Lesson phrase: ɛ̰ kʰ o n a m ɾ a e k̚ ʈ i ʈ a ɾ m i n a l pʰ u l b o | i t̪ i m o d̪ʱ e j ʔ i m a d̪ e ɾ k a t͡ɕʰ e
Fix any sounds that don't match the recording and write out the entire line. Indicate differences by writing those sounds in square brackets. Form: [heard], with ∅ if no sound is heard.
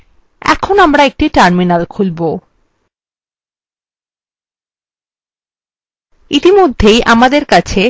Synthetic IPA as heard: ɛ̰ kʰ o n a m ɾ a e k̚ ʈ i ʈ a ɾ m i n a l [kʰ] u l b o | i t̪ i m o [d̪ʱː] e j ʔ [a] m a d̪ e ɾ k a t͡ɕʰ e